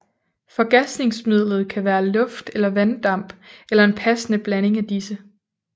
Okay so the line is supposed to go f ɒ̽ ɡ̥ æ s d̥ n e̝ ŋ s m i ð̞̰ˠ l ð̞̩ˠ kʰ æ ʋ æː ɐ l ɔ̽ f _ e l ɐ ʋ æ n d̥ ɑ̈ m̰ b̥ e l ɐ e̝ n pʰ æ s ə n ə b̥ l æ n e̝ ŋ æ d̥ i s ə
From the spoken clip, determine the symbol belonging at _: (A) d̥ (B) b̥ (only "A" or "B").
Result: A